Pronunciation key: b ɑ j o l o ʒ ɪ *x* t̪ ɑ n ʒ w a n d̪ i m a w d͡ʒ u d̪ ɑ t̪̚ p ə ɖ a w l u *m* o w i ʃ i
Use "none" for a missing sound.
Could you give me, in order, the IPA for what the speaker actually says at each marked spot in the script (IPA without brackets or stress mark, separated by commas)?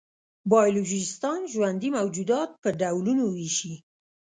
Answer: s, n